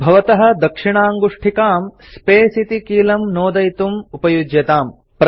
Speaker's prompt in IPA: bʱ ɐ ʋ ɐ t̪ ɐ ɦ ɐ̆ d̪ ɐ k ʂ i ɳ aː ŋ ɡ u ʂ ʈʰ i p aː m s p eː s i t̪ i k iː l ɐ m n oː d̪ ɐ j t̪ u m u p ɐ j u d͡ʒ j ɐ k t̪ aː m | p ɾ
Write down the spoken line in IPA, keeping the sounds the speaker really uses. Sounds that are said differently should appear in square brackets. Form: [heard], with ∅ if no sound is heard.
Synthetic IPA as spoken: bʱ ɐ ʋ ɐ t̪ ɐ ɦ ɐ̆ d̪ ɐ k ʂ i ɳ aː ŋ ɡ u ʂ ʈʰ i [k] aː m s p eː s i t̪ i k iː l ɐ m n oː d̪ ɐ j t̪ u m u p ɐ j u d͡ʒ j ɐ [∅] t̪ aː m | p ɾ

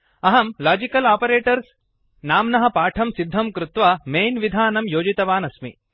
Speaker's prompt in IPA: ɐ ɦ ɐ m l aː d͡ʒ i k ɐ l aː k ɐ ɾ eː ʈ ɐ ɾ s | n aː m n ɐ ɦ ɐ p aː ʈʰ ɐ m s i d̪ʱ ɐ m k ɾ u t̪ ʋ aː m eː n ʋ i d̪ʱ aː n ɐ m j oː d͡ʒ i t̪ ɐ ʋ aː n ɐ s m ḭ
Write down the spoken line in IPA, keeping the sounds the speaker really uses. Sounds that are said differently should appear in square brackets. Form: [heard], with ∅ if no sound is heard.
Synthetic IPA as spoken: ɐ ɦ ɐ m l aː d͡ʒ i k ɐ l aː [p] ɐ ɾ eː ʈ ɐ ɾ s | n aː m n ɐ ɦ ɐ p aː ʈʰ ɐ m s i [d̪ʱː] ɐ m k ɾ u t̪ ʋ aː m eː n ʋ i d̪ʱ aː n ɐ m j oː d͡ʒ i t̪ ɐ ʋ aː n ɐ s m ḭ

